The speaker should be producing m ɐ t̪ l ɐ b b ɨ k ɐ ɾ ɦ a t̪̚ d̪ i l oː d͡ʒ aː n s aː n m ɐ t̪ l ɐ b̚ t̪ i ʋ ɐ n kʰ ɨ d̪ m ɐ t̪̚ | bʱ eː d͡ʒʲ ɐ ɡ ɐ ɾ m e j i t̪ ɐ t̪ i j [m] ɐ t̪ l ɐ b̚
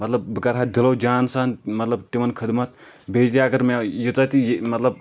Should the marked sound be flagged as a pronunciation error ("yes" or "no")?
no